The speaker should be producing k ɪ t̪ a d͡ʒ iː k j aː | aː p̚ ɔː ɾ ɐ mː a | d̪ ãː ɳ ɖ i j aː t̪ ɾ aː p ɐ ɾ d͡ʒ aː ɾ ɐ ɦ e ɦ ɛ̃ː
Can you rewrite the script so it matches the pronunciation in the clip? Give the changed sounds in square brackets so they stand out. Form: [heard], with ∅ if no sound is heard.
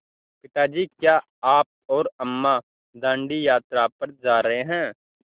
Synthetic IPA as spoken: [p] ɪ t̪ a d͡ʒ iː k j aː | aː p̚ ɔː ɾ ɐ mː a | d̪ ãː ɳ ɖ i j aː t̪ ɾ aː p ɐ ɾ d͡ʒ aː ɾ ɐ ɦ e ɦ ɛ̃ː